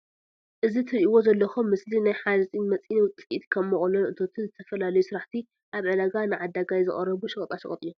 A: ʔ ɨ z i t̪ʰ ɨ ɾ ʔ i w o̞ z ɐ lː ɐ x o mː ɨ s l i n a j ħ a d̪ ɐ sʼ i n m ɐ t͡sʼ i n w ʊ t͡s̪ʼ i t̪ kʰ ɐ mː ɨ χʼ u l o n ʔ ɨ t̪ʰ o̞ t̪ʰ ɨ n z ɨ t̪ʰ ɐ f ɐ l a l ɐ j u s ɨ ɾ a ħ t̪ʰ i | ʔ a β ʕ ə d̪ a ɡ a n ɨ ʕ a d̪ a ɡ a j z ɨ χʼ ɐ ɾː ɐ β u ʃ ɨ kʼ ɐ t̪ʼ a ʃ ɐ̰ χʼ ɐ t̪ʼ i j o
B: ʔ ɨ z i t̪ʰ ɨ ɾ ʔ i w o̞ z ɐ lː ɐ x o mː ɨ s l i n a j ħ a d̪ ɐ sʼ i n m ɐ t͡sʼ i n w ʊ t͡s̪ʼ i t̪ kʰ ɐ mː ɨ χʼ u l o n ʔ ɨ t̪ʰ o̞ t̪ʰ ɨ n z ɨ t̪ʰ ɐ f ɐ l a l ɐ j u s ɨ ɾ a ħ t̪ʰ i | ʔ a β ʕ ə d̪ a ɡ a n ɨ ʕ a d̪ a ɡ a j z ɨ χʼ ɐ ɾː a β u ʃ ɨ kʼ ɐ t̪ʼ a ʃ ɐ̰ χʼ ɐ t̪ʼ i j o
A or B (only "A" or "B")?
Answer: A